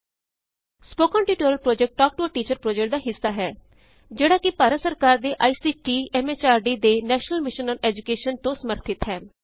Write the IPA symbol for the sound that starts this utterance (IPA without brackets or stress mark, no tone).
s